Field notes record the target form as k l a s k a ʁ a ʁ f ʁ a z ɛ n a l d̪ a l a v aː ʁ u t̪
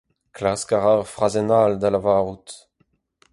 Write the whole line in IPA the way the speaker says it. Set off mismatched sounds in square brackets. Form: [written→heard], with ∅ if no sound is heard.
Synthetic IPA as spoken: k l a s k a ʁ a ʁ f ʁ a z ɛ n a l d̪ a l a v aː ʁ u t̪